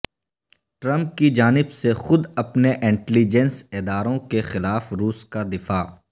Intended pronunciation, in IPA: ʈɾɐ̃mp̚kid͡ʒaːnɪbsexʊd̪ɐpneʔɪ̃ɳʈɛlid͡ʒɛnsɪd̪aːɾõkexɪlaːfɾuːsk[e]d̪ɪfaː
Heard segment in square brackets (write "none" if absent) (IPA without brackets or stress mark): a